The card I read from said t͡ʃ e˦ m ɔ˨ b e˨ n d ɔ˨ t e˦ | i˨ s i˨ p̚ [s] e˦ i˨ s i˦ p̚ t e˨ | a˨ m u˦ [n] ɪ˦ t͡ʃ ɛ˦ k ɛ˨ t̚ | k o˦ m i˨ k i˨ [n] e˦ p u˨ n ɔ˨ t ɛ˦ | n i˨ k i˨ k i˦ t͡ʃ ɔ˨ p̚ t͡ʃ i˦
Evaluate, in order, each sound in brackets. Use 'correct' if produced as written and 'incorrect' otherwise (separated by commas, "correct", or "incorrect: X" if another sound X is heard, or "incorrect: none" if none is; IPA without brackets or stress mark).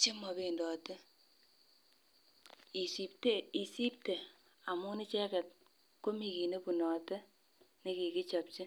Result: incorrect: t, correct, correct